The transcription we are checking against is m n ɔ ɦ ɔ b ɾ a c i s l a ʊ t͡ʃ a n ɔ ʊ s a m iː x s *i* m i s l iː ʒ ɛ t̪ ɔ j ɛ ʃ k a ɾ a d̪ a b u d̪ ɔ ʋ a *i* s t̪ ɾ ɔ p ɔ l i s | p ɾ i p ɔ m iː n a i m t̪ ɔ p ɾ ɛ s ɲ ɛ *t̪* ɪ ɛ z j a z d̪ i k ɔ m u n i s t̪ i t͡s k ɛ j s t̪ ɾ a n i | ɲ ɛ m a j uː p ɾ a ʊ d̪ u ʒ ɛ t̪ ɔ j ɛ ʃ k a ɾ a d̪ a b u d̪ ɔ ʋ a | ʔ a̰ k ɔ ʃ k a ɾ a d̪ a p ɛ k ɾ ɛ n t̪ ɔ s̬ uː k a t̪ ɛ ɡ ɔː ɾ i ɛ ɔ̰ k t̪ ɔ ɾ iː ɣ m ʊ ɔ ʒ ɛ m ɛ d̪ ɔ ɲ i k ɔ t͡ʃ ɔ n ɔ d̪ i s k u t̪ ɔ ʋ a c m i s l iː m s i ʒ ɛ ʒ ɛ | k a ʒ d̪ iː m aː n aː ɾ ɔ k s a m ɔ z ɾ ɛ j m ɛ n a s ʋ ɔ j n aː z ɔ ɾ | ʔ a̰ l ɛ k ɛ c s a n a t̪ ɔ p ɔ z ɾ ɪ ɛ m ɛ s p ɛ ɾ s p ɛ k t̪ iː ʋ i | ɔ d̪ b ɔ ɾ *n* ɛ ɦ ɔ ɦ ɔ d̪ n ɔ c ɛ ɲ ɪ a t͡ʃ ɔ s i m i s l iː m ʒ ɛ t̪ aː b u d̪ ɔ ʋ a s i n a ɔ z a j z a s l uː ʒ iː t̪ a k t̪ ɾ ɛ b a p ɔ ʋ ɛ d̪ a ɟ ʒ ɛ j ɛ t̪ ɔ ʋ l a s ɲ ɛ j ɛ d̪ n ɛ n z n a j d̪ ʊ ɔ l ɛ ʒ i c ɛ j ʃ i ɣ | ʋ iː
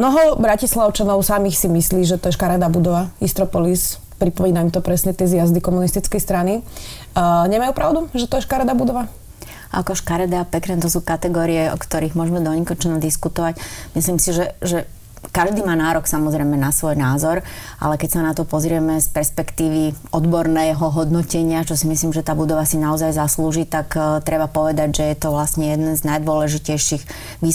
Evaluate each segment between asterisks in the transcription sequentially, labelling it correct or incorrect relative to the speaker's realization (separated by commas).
correct, correct, correct, correct